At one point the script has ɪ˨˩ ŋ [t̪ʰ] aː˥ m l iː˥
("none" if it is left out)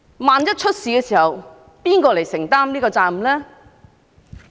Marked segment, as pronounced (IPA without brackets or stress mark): t̪